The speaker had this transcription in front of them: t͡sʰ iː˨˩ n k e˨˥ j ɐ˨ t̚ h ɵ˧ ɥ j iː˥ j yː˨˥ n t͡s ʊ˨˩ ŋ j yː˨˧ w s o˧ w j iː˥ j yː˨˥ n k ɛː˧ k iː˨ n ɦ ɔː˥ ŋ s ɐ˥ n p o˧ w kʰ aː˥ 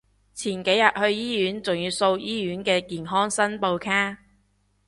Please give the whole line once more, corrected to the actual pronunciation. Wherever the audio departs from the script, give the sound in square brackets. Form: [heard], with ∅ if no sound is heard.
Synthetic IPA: t͡sʰ iː˨˩ n k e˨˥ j ɐ˨ t̚ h ɵ˧ ɥ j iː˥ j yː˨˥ n t͡s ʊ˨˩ ŋ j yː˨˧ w s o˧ w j iː˥ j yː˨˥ n k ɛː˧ k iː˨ n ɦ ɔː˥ ŋ s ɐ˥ n p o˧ w kʰ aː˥